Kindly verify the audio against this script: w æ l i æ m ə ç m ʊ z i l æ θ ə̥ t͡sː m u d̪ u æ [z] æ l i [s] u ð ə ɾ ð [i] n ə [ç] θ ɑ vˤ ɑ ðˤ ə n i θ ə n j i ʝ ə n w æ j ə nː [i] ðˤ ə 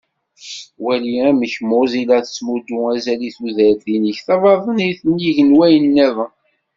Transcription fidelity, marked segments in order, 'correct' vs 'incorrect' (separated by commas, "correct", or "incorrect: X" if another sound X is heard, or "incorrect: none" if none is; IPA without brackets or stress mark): correct, incorrect: θ, correct, correct, incorrect: æ